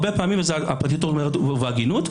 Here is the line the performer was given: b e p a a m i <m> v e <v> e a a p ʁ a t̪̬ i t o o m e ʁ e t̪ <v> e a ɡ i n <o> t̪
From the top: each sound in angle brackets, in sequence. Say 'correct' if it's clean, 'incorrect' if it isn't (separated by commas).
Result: correct, incorrect, correct, incorrect